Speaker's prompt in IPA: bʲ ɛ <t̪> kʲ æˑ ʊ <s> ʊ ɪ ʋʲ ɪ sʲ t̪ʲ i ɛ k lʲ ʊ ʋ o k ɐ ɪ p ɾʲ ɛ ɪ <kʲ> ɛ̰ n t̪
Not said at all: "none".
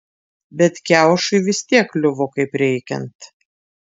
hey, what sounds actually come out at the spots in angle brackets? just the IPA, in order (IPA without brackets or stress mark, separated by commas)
t̪, ʃ, kʲ